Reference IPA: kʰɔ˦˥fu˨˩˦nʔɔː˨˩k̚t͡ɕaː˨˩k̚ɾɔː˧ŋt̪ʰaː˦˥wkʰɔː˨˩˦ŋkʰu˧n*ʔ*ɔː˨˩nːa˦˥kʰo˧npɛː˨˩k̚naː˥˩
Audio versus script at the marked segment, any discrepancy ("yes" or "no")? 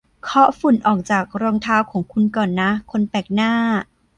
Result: yes